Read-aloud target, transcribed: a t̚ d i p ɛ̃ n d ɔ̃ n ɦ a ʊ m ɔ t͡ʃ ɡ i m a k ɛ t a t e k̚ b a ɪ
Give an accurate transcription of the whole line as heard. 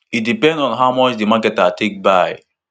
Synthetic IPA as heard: i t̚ d i p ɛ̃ n d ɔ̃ n ɦ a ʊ m ɔ t͡ʃ d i m a k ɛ t a t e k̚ b a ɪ